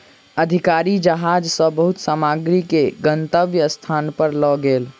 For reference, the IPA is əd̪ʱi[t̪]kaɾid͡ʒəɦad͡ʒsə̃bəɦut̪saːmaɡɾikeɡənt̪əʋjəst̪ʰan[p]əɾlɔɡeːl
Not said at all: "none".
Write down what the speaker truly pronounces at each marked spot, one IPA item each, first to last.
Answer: none, p

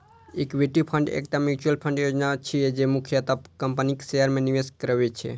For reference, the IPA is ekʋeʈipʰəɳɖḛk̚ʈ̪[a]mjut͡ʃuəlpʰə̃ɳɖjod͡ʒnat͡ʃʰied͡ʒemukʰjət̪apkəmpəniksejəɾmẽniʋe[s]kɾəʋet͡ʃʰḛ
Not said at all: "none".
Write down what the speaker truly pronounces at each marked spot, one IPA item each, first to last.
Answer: a, s

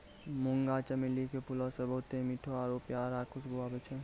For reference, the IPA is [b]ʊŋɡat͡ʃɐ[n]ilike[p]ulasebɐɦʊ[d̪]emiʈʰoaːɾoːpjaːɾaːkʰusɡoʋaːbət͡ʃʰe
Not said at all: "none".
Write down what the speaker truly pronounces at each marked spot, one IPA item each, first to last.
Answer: m, m, p, t̪

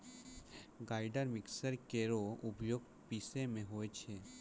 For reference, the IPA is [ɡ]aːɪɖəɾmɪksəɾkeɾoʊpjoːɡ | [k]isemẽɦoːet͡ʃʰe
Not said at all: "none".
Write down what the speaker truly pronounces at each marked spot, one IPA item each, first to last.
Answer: ɡ, p

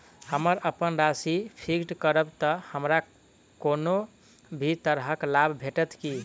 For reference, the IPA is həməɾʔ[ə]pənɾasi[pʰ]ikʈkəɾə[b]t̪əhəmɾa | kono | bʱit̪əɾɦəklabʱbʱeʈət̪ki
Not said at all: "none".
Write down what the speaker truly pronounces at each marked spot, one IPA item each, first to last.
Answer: ə, pʰ, b

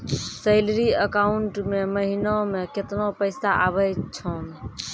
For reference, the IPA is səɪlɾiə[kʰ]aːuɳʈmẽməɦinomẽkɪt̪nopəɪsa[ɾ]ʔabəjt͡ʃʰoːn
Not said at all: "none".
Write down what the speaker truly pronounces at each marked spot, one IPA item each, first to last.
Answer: k, none

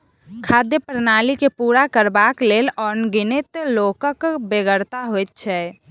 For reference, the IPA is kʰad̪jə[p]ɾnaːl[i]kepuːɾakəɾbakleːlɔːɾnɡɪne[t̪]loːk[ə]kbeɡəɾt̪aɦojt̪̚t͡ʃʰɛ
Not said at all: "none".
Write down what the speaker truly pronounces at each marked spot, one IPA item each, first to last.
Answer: p, i, t̪, ə

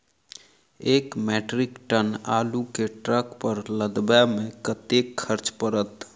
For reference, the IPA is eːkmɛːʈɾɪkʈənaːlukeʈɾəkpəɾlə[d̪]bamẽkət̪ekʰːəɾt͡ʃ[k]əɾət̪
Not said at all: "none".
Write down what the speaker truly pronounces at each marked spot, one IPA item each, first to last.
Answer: d̪, p

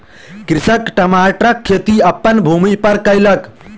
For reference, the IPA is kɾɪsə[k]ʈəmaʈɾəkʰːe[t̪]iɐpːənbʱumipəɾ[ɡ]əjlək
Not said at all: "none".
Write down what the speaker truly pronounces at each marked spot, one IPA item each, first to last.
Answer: k, t̪, k

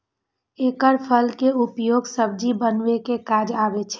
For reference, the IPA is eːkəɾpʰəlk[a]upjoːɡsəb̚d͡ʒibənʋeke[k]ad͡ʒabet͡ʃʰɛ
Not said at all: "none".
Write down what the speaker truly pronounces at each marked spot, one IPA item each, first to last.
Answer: e, k

